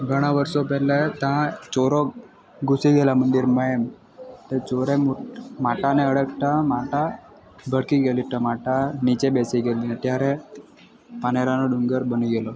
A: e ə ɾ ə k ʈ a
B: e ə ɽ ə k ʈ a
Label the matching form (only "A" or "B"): B